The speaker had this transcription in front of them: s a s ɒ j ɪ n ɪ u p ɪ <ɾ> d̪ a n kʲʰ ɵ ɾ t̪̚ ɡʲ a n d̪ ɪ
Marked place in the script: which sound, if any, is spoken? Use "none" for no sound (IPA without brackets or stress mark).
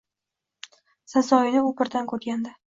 ɾ